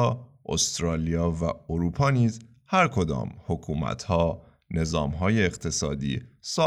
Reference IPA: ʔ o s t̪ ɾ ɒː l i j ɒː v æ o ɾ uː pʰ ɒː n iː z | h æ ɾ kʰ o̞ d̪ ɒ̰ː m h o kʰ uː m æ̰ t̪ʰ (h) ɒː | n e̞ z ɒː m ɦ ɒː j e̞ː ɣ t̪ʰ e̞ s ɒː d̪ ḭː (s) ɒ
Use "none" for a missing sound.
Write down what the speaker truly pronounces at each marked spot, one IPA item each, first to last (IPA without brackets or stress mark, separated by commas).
h, s